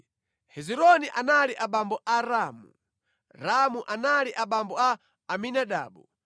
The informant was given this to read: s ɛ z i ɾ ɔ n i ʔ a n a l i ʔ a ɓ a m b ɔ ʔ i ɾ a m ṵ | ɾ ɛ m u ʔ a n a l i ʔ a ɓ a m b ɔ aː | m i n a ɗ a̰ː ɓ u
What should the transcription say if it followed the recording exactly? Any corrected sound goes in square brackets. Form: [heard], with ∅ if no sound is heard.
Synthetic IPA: [h] ɛ z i ɾ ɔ n i ʔ a n a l i ʔ a ɓ a m b ɔ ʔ [a] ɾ a m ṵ | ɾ [a] m u ʔ a n a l i ʔ a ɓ a m b ɔ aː | m i n a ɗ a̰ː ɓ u